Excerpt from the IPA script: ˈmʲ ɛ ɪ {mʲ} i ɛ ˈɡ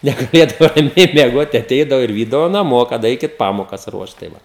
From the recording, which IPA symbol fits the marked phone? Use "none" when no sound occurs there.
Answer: mʲ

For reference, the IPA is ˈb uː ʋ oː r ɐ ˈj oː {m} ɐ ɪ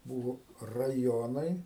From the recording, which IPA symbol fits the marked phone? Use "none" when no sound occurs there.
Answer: n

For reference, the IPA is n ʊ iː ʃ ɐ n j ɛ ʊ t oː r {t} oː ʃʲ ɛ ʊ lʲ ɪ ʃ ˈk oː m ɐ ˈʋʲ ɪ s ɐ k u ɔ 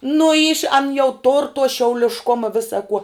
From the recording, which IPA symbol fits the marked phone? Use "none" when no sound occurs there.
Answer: t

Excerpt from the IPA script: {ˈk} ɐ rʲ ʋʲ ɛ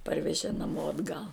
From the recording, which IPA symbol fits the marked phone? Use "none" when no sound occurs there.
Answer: p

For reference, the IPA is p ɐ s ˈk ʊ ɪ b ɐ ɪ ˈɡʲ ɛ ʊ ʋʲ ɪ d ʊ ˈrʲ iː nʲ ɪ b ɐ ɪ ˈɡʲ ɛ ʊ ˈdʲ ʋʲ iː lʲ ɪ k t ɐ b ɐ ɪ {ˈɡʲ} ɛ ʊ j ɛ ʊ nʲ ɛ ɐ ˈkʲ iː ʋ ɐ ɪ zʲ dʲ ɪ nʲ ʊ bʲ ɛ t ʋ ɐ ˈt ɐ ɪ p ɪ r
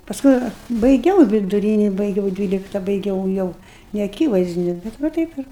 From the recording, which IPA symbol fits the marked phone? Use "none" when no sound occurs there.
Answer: ɡʲ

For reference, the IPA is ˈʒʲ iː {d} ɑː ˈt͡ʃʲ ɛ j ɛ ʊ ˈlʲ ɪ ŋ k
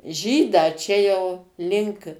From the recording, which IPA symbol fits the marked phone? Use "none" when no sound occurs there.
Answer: d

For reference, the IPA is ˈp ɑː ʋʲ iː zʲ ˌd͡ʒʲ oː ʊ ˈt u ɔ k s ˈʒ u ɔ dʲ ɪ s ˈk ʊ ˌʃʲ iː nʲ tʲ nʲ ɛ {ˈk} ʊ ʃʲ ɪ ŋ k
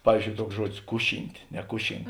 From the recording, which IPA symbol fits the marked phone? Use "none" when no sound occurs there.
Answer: k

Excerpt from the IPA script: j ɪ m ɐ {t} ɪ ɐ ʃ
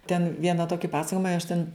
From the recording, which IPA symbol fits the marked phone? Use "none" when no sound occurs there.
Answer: none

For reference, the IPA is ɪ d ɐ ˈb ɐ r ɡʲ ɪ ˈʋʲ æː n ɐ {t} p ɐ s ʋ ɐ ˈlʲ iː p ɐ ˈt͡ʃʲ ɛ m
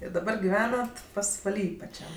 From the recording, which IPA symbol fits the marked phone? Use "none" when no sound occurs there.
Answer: t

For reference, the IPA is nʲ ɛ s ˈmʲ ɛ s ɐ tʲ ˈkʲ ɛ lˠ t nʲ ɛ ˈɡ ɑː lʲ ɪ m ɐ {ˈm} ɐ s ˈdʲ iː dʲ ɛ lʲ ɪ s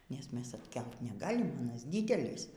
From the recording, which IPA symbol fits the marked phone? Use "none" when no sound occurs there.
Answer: n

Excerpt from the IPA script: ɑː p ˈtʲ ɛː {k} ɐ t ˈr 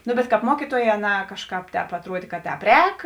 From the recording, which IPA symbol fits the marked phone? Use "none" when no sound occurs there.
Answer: p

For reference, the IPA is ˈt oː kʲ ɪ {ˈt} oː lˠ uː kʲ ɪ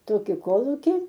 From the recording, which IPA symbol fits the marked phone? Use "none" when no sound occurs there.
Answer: k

